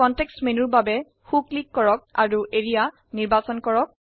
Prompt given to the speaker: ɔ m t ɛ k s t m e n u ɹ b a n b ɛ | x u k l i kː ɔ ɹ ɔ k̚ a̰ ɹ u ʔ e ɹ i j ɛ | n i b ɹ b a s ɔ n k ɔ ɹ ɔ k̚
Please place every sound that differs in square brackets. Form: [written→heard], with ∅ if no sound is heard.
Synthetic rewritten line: ɔ [m→n] t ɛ k s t m e n u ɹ b a [n→∅] b ɛ | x u k l i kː ɔ ɹ ɔ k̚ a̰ ɹ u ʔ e ɹ i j [ɛ→a] | n i [b→∅] ɹ b a s ɔ n k ɔ ɹ ɔ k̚

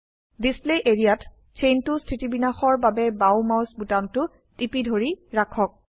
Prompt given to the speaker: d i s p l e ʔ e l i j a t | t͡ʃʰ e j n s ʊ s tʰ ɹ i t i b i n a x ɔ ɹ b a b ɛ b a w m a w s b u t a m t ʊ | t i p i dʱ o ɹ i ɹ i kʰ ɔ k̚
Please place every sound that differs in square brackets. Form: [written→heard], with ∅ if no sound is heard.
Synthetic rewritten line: d i s p l e ʔ e [l→ɹ] i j a t | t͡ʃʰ e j n [s→t] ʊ s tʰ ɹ i t i b i n a x ɔ ɹ b a b ɛ b a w m a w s b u t a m t ʊ | t i p i dʱ o ɹ i ɹ [i→a] kʰ ɔ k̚

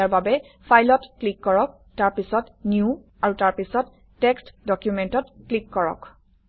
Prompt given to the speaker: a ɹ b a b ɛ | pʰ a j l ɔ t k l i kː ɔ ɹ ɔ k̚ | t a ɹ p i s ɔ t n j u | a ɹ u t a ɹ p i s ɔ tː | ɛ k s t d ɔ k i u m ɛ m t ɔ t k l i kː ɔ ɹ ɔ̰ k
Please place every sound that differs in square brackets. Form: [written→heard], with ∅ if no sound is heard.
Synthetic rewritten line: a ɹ b a b ɛ | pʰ a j l ɔ t k l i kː ɔ ɹ ɔ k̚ | t a ɹ p i s ɔ t n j u | a ɹ u t a ɹ p i s ɔ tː | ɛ k s t d ɔ k [i→j] u m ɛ [m→n] t ɔ t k l i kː ɔ ɹ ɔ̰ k

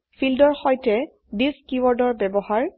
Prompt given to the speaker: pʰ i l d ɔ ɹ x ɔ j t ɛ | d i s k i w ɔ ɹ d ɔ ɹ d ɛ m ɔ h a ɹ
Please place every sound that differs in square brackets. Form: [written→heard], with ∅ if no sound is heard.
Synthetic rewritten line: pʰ i l d ɔ ɹ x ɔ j t ɛ | d i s k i w ɔ ɹ d ɔ ɹ [d→b] ɛ [m→b] ɔ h a ɹ

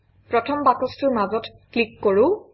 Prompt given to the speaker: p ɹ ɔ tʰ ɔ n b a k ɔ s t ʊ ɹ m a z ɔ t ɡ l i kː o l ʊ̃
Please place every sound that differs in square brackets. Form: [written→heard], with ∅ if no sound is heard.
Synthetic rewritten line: p ɹ ɔ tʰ ɔ [n→m] b a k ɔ s t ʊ ɹ m a z ɔ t [ɡ→k] l i kː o [l→ɹ] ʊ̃

